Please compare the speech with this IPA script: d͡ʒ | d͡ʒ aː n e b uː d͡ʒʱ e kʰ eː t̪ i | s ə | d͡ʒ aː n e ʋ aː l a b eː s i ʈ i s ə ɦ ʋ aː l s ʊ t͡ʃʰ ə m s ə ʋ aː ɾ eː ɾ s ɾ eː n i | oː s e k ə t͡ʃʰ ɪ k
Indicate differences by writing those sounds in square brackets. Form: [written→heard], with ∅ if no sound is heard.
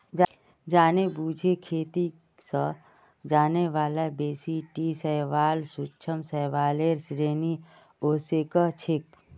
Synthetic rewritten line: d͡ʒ | d͡ʒ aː n e b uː d͡ʒʱ e kʰ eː t̪ i | s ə | d͡ʒ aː n e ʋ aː l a b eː s i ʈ i s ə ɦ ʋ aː l s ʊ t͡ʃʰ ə m s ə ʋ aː [ɾ→l] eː ɾ s ɾ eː n i | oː s e k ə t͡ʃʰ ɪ k